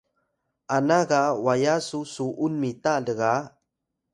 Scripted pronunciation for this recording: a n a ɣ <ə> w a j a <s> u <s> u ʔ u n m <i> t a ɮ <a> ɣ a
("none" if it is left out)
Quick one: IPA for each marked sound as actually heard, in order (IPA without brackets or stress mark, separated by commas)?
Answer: a, s, s, i, ə